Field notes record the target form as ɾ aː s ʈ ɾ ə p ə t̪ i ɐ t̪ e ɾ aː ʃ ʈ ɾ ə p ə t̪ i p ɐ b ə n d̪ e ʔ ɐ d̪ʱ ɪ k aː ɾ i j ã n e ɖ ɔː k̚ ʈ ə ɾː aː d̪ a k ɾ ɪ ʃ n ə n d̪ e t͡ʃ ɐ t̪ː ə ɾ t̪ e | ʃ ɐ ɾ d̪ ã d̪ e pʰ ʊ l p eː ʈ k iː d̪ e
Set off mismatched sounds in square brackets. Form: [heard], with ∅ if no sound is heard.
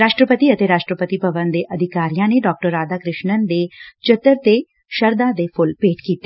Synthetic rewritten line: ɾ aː [ʃ] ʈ ɾ ə p ə t̪ i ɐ t̪ e ɾ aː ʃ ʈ ɾ ə p ə t̪ i p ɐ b ə n d̪ e ʔ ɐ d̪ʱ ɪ k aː ɾ i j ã n e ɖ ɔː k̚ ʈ ə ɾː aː d̪ a k ɾ ɪ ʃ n ə n d̪ e t͡ʃ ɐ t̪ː ə ɾ t̪ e | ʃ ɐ ɾ d̪ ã d̪ e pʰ ʊ l p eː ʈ k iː [t̪] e